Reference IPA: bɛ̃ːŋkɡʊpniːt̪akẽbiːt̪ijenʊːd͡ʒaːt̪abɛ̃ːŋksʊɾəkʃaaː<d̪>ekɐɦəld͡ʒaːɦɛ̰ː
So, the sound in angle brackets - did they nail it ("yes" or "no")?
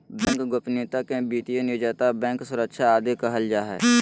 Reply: yes